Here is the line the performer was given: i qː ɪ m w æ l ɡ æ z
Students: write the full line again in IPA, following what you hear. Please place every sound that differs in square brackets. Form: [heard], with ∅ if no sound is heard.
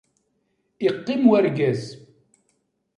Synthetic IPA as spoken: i qː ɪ m w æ [ɾ] ɡ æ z